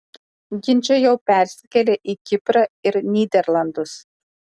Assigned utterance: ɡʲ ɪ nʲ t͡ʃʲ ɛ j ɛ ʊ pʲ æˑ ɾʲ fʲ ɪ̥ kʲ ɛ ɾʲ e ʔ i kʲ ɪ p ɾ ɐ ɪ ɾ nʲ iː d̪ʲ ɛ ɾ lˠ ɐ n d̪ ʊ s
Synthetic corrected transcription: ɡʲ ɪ nʲ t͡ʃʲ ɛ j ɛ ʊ pʲ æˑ ɾʲ sʲ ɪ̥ kʲ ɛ lʲ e ʔ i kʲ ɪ p ɾ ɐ ɪ ɾ nʲ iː d̪ʲ ɛ ɾ lˠ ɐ n d̪ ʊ s

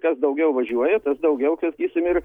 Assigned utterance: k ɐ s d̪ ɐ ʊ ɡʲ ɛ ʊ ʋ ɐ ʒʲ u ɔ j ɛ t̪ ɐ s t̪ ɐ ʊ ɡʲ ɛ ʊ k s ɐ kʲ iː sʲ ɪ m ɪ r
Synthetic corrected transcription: k ɐ s d̪ ɐ ʊ ɡʲ ɛ ʊ ʋ ɐ ʒʲ u ɔ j ɛ t̪ ɐ s d̪ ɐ ʊ ɡʲ ɛ ʊ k s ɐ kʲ iː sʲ ɪ m ɪ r

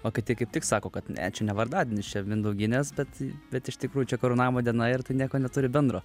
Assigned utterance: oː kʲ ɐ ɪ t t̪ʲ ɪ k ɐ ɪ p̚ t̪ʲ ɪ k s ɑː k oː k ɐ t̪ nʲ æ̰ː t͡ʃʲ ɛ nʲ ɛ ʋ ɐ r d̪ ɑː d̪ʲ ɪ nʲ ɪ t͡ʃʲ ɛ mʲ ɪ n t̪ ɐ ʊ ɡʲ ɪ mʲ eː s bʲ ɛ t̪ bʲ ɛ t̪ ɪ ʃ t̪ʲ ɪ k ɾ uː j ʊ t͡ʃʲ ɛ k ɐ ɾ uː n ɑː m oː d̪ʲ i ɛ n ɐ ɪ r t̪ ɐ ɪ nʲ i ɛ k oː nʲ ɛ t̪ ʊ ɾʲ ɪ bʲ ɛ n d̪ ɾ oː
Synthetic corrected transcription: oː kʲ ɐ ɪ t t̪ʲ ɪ k ɐ ɪ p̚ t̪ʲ ɪ k s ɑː k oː k ɐ t̪ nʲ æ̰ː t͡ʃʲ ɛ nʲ ɛ ʋ ɐ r d̪ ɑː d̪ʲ ɪ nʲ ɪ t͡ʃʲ ɛ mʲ ɪ n d̪ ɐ ʊ ɡʲ ɪ nʲ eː s bʲ ɛ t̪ bʲ ɛ t̪ ɪ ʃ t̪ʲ ɪ k ɾ uː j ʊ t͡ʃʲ ɛ k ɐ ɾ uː n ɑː m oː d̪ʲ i ɛ n ɐ ɪ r t̪ ɐ ɪ nʲ i ɛ k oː nʲ ɛ t̪ ʊ ɾʲ ɪ bʲ ɛ n d̪ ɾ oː

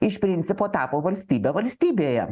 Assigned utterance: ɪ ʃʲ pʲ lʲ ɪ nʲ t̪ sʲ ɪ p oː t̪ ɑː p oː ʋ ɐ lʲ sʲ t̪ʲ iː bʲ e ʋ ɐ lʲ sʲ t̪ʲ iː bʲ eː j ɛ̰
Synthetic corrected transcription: ɪ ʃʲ pʲ ɾʲ ɪ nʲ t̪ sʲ ɪ p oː t̪ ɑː p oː ʋ ɐ lʲ sʲ t̪ʲ iː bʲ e ʋ ɐ lʲ sʲ t̪ʲ iː bʲ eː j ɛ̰

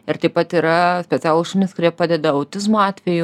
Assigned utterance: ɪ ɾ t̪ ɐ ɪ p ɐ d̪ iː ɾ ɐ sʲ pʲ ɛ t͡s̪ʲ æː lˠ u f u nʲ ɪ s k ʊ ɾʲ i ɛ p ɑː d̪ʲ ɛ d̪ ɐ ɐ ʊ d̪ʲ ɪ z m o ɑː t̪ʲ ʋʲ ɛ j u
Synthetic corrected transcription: ɪ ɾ t̪ ɐ ɪ p ɐ t̪ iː ɾ ɐ sʲ pʲ ɛ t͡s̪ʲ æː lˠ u ʃ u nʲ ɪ s k ʊ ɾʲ i ɛ p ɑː d̪ʲ ɛ d̪ ɐ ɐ ʊ t̪ʲ ɪ z m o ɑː t̪ʲ ʋʲ ɛ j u

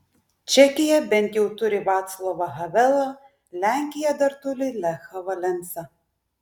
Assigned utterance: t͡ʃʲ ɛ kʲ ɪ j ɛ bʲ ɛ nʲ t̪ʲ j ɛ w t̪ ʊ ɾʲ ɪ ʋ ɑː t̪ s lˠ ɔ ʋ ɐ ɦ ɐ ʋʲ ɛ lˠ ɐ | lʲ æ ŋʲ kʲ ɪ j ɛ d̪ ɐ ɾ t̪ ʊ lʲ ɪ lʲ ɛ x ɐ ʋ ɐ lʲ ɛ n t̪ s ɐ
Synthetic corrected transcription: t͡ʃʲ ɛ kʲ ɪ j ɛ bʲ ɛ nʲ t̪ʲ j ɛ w t̪ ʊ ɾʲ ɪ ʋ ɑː t̪ s lˠ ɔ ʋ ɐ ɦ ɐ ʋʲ ɛ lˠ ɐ | lʲ æ ŋʲ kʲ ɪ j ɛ d̪ ɐ ɾ t̪ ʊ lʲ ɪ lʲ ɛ x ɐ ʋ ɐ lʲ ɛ n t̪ s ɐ

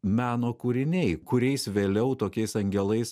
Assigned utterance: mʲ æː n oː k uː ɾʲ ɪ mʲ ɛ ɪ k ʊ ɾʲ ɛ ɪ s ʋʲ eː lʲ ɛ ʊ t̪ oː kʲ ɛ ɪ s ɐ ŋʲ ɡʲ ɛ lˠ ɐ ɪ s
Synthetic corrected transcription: mʲ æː n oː k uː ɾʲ ɪ nʲ ɛ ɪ k ʊ ɾʲ ɛ ɪ s ʋʲ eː lʲ ɛ ʊ t̪ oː kʲ ɛ ɪ s ɐ ŋʲ ɡʲ ɛ lˠ ɐ ɪ s

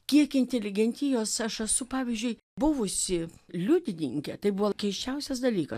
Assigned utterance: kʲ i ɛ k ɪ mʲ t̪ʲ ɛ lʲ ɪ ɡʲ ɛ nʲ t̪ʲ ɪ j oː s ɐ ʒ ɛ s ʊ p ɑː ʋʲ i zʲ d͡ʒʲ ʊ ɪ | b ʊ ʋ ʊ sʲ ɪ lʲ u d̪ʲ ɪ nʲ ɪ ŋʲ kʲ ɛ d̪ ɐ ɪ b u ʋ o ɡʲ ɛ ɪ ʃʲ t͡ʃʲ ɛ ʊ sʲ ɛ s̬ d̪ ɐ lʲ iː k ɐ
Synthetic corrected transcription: kʲ i ɛ k ɪ nʲ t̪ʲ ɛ lʲ ɪ ɡʲ ɛ nʲ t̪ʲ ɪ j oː s ɐ ʃ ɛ s ʊ p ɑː ʋʲ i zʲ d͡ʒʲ ʊ ɪ | b ʊ ʋ ʊ sʲ ɪ lʲ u d̪ʲ ɪ nʲ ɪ ŋʲ kʲ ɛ t̪ ɐ ɪ b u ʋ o kʲ ɛ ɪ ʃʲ t͡ʃʲ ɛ ʊ sʲ ɛ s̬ d̪ ɐ lʲ iː k ɐ

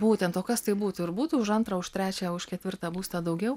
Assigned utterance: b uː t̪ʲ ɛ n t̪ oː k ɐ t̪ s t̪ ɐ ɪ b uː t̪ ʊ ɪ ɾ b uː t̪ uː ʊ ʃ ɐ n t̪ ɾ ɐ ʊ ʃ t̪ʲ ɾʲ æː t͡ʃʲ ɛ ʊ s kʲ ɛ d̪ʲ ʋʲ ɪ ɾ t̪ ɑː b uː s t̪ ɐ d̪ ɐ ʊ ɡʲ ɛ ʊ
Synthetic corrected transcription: b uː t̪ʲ ɛ n t̪ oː k ɐ s t̪ ɐ ɪ b uː t̪ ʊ ɪ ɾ b uː t̪ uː ʊ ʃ ɐ n t̪ ɾ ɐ ʊ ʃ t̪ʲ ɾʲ æː t͡ʃʲ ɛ ʊ ʃ kʲ ɛ t̪ʲ ʋʲ ɪ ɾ t̪ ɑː b uː s t̪ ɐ d̪ ɐ ʊ ɡʲ ɛ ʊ

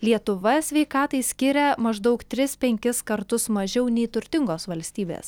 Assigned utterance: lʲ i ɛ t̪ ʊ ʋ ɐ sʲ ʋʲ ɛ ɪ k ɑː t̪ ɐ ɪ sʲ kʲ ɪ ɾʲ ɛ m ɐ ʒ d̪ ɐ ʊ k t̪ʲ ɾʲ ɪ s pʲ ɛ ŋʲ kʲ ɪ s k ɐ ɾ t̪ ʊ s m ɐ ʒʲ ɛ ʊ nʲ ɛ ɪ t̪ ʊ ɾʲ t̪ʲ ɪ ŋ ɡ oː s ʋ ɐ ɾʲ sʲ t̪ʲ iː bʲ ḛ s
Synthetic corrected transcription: lʲ i ɛ t̪ ʊ ʋ ɐ sʲ ʋʲ ɛ ɪ k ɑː t̪ ɐ ɪ sʲ kʲ ɪ ɾʲ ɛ m ɐ ʒ d̪ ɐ ʊ k t̪ʲ ɾʲ ɪ s pʲ ɛ ŋʲ kʲ ɪ s k ɐ ɾ t̪ ʊ s m ɐ ʒʲ ɛ ʊ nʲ ɛ ɪ t̪ ʊ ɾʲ t̪ʲ ɪ ŋ ɡ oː s ʋ ɐ lʲ sʲ t̪ʲ iː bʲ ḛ s

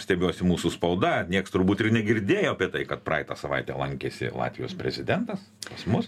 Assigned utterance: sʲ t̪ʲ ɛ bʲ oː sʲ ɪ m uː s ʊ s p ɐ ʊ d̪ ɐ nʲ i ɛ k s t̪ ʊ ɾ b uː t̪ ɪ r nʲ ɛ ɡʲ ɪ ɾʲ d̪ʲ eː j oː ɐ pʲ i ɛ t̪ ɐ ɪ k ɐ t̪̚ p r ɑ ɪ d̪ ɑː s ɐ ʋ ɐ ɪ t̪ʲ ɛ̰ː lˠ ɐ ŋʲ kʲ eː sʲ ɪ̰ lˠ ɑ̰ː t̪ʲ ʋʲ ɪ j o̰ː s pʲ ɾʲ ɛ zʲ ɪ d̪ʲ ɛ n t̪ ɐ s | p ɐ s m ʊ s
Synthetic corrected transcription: sʲ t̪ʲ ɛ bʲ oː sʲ ɪ m uː s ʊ s p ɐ ʊ d̪ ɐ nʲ i ɛ k s t̪ ʊ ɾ b uː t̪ ɪ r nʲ ɛ ɡʲ ɪ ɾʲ d̪ʲ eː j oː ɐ pʲ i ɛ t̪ ɐ ɪ k ɐ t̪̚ p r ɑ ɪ t̪ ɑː s ɐ ʋ ɐ ɪ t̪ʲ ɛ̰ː lˠ ɐ ŋʲ kʲ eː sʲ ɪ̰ lˠ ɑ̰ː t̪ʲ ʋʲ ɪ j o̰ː s pʲ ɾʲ ɛ zʲ ɪ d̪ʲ ɛ n t̪ ɐ s | p ɐ s m ʊ s

